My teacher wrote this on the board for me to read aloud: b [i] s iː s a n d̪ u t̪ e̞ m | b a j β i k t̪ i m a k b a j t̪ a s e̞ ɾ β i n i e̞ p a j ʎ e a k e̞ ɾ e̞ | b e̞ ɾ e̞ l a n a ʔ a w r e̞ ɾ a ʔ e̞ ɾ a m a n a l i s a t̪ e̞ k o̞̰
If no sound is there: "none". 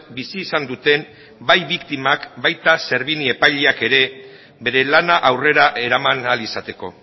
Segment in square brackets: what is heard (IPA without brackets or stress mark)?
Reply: i